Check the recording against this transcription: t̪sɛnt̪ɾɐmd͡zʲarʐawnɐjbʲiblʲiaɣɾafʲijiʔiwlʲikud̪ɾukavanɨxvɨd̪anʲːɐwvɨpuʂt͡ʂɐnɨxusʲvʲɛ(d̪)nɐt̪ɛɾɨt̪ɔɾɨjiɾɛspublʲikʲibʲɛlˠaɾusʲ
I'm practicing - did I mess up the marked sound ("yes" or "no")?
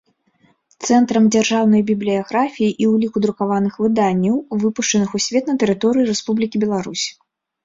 yes